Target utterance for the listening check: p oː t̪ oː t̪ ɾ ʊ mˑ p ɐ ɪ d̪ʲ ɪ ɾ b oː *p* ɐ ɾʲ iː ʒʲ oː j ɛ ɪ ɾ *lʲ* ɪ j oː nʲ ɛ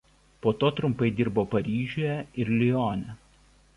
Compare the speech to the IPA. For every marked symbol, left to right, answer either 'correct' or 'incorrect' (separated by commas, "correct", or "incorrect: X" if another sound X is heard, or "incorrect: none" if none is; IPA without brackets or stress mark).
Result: correct, correct